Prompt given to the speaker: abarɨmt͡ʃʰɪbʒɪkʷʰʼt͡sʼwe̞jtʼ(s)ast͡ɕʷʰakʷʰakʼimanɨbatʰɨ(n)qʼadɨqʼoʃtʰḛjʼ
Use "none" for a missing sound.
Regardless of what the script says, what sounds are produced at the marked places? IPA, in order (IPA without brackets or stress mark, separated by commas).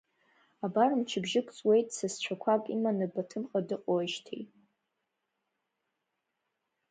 s, m